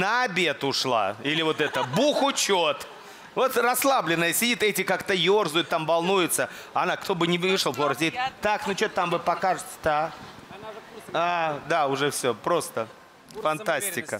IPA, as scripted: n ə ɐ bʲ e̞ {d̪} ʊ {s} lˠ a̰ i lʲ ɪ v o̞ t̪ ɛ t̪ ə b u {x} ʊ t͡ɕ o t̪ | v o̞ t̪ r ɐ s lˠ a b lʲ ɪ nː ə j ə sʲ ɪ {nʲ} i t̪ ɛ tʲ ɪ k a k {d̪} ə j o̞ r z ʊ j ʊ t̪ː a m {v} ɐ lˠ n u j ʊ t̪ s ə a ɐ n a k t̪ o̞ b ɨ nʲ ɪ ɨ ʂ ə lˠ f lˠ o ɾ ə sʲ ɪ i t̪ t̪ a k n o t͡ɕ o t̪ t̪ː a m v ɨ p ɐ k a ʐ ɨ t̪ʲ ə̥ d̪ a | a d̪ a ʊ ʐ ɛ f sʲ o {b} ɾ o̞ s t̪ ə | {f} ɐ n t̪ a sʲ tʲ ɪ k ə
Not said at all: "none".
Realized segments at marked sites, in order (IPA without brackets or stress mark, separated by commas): t̪, ʂ, x, dʲ, t̪, v, p, f